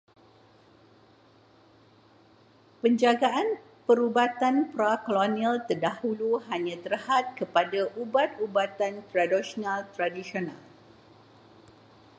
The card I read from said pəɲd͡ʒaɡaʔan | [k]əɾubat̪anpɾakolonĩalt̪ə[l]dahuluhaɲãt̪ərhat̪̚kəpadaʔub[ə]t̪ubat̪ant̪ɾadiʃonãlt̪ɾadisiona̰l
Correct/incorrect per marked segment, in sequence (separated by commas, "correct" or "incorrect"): incorrect, incorrect, incorrect